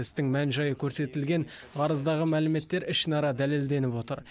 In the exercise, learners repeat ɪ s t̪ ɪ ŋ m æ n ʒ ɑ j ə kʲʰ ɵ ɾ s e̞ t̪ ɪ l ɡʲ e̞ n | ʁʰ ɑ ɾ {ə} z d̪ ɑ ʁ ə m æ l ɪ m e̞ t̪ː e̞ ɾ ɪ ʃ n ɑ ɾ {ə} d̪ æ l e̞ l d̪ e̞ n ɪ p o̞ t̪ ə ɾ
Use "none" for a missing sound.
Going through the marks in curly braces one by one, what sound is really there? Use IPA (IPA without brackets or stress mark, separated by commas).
ə, ɑ